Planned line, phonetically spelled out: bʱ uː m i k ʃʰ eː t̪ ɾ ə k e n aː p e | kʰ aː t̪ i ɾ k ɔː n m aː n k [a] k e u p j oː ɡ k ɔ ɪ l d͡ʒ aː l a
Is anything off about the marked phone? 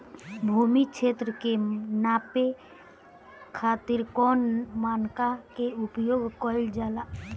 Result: no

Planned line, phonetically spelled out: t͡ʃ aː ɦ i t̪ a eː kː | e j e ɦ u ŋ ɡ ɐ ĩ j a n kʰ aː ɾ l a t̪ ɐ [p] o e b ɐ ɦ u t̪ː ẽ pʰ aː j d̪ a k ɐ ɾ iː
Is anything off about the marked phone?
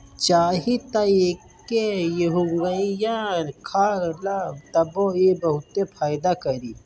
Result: yes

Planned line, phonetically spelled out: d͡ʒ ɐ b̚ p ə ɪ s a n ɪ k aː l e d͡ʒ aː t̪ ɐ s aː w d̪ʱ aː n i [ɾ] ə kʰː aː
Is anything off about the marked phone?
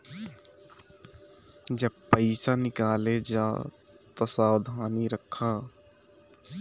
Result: no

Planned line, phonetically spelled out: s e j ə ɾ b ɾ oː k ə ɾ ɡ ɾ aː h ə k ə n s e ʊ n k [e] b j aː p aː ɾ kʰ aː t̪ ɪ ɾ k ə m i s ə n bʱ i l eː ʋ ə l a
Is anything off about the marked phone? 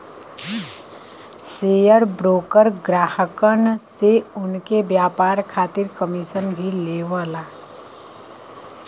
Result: no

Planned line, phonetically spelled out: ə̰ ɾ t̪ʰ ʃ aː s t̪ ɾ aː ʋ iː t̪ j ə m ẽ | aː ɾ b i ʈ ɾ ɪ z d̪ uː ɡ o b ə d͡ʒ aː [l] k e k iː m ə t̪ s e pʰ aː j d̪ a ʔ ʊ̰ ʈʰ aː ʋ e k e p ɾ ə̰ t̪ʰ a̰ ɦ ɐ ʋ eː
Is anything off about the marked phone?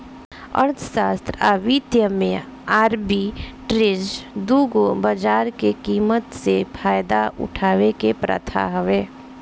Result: yes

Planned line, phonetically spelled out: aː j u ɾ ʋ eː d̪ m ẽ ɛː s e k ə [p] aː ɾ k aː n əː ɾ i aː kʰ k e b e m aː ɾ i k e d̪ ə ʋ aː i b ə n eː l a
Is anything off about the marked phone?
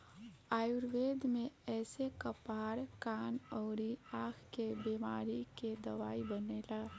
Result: no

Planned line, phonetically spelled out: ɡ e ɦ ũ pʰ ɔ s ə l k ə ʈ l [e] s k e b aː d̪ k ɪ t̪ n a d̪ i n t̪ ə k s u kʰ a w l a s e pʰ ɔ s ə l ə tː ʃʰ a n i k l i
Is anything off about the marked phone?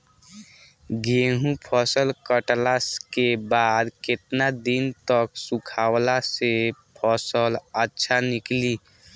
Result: yes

